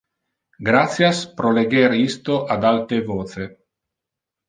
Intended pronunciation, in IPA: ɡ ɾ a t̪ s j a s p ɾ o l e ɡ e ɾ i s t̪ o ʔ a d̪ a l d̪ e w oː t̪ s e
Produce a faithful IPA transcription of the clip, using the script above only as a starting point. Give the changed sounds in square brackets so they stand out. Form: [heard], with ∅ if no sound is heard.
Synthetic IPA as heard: ɡ ɾ a t̪ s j a s p ɾ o l e ɡ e ɾ i s t̪ o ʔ a d̪ a l [t̪] e [v] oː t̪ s e

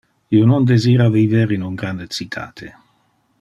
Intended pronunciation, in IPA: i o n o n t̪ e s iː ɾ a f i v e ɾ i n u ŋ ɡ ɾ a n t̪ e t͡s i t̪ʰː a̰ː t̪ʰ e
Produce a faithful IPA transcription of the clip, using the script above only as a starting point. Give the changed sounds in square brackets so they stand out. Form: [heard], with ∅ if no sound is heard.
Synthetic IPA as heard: i o n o n [d̪] e [z] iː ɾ a [v] i v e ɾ i n u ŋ ɡ ɾ a n [d̪] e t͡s i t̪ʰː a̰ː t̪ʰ e

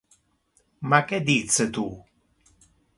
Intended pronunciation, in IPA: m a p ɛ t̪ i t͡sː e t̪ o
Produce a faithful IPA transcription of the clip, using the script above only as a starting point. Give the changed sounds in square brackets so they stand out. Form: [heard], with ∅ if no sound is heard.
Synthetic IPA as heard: m a [k] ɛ [d̪] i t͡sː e t̪ [u]

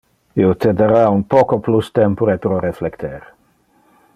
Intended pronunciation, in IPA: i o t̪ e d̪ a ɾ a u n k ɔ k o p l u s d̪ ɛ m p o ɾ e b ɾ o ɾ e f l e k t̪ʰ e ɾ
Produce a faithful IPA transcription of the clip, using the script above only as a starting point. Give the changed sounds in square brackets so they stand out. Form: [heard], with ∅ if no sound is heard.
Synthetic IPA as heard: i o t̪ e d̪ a ɾ a u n [p] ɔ k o p l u s [t̪] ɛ m p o ɾ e [p] ɾ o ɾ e f l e k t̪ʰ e ɾ

